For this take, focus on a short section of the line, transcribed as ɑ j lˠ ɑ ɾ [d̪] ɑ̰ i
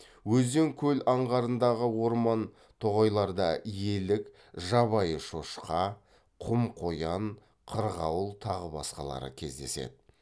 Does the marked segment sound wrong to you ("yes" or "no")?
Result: no